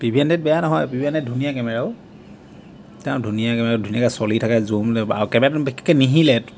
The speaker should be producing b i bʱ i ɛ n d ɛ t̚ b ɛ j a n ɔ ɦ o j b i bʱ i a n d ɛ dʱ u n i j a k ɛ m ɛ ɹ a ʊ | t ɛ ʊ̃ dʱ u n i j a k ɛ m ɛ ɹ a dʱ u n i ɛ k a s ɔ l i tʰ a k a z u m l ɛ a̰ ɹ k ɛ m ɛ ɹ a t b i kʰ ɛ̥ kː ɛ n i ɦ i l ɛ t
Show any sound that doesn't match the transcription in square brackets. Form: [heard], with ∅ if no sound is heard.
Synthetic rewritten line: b i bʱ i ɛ n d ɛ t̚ b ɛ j a n ɔ ɦ [ɔ] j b i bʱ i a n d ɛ dʱ u n i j a k ɛ m ɛ ɹ a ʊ | t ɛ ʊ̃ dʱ u n i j a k ɛ m ɛ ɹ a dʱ u n i [a] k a s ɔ l i tʰ a k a z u m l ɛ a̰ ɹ k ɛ m ɛ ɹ a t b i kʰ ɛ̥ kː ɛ n i ɦ i l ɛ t